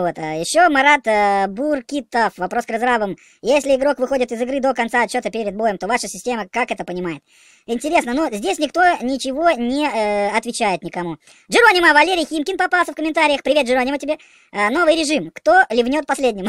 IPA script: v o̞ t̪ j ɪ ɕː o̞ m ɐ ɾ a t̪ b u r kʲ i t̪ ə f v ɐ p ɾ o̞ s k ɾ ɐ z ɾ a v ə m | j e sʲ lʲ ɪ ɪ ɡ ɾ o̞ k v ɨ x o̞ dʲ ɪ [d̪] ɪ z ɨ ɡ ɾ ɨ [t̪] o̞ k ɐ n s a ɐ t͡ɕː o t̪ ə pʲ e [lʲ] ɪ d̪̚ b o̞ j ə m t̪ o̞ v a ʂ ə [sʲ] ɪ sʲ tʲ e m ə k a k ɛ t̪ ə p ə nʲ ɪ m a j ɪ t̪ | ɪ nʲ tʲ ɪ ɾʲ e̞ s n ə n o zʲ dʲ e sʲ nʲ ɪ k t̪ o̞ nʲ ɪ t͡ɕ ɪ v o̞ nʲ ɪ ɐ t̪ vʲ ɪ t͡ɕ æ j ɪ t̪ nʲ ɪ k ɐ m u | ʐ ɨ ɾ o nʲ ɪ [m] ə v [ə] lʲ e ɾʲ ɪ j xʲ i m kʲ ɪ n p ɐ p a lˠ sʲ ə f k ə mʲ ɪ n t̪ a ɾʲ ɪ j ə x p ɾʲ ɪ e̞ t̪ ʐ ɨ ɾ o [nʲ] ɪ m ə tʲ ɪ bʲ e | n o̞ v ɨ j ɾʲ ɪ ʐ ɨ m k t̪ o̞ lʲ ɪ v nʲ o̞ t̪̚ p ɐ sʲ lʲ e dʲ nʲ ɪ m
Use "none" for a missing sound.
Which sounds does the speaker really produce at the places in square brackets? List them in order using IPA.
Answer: t̪, d̪, ɾʲ, sʲ, m, ɐ, nʲ

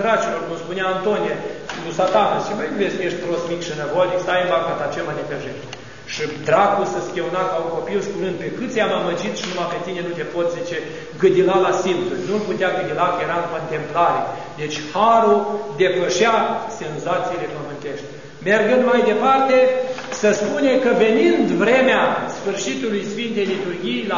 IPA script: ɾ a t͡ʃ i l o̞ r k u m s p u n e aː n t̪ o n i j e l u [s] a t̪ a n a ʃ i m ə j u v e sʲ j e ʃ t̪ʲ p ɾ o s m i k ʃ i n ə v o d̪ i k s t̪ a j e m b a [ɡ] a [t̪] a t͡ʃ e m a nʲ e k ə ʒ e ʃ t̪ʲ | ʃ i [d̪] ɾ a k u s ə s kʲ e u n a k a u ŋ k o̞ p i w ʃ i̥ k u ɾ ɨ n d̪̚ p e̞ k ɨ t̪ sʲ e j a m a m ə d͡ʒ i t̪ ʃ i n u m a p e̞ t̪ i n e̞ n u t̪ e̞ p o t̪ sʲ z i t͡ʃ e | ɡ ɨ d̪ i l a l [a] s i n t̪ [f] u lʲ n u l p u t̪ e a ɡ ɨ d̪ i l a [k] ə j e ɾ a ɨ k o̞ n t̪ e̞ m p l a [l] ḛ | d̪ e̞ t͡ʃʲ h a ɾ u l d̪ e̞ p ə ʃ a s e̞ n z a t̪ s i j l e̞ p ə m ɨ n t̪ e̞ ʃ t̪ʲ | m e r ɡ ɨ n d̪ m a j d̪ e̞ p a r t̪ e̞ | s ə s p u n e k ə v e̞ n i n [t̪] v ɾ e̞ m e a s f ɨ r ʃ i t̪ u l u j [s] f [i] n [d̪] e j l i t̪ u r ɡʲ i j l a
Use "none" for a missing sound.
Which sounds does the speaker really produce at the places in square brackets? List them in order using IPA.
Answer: s, k, t̪, d̪, a, s, k, ɾ, d̪, s, i, t̪

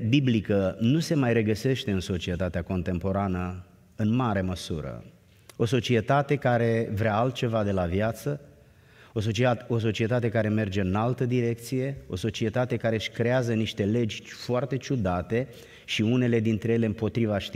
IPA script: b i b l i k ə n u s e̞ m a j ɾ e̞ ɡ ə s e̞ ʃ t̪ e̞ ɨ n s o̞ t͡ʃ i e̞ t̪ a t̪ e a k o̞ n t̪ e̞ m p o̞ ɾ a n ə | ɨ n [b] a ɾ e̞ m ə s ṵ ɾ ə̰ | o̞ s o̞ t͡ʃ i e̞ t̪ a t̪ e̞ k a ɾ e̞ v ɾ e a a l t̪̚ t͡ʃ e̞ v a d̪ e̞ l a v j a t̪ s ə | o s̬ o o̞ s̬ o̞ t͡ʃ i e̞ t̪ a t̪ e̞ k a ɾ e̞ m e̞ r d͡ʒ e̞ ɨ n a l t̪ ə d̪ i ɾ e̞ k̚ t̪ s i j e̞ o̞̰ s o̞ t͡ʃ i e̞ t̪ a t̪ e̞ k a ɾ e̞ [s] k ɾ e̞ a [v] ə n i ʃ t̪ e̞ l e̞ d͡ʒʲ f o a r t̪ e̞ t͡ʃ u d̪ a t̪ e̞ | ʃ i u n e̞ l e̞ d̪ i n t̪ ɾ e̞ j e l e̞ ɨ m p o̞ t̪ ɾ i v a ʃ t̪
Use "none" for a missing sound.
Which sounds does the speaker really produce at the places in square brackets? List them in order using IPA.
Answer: m, ʃ, z

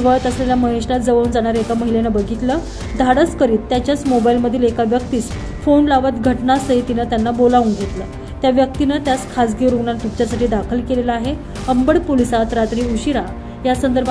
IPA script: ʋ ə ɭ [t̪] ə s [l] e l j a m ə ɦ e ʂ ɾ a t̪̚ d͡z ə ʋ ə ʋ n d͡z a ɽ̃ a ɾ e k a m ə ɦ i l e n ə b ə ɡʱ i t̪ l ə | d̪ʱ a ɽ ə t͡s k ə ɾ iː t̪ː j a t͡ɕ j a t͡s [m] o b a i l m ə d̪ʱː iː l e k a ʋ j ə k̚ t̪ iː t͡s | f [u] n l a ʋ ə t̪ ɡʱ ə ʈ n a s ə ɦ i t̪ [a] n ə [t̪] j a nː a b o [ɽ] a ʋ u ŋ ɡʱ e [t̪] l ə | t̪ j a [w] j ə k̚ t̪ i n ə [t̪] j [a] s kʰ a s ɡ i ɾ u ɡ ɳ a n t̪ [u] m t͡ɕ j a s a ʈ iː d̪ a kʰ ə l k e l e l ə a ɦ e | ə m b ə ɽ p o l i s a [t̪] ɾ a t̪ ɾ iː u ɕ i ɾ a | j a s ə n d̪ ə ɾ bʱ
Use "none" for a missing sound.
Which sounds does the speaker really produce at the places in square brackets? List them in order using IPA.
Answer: t̪, l, m, o, i, t̪, l, t̪, ʋ, t̪, a, u, t̪

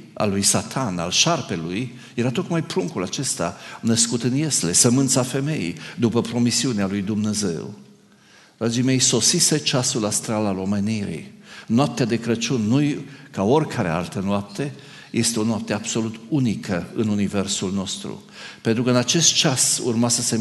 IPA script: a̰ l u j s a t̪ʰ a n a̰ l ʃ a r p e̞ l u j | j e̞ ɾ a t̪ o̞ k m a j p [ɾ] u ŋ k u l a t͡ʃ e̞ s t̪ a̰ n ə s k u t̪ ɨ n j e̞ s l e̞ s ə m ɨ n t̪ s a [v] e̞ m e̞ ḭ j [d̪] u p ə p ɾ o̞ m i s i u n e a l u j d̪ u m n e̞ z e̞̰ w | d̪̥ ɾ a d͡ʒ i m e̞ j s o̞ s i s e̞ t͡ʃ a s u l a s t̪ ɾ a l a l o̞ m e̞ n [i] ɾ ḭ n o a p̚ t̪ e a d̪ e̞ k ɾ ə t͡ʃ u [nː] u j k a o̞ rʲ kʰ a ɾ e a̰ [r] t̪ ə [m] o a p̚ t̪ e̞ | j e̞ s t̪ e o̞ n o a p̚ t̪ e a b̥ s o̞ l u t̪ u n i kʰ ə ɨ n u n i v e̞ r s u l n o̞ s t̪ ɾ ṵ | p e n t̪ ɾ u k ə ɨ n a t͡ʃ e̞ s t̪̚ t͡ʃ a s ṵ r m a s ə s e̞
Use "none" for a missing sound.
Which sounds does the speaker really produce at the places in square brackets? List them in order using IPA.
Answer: ɾ, f, d̪, i, nː, l, n

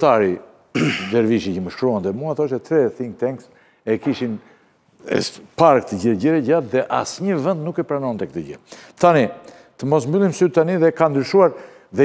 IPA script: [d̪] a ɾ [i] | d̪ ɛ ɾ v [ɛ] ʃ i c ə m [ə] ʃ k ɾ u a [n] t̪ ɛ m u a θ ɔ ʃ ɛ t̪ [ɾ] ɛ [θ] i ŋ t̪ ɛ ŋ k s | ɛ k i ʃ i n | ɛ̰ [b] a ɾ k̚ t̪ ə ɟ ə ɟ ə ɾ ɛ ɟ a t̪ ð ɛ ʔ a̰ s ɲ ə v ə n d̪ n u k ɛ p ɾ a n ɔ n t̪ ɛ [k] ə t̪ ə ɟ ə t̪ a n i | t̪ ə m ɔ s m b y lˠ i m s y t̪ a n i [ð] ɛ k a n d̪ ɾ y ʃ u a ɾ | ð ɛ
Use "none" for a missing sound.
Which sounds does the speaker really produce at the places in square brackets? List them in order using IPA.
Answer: t̪, i, i, ə, n, ɾ, θ, p, k, ð

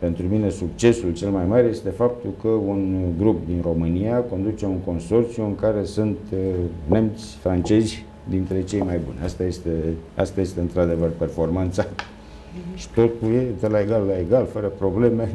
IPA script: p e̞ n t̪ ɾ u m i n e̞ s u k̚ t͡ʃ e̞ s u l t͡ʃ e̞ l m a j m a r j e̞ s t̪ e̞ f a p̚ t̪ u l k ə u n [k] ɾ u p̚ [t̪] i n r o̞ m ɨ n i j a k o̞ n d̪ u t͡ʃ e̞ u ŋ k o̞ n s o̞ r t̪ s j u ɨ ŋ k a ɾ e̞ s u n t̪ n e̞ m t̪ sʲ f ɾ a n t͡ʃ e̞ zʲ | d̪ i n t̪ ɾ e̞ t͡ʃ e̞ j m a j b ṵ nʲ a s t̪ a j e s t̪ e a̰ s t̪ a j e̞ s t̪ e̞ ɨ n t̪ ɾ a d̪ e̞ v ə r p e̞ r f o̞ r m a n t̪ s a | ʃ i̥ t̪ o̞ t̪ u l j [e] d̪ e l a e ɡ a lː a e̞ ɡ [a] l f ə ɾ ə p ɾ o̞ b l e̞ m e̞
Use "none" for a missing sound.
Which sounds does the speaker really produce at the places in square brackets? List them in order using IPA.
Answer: ɡ, d̪, e, a

